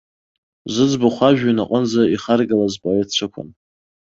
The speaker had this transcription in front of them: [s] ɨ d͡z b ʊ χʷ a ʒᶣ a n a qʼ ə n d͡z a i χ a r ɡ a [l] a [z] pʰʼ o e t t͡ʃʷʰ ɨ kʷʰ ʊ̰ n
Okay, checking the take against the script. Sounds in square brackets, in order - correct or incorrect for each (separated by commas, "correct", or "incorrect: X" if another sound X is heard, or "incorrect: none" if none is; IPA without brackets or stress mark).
incorrect: z, correct, correct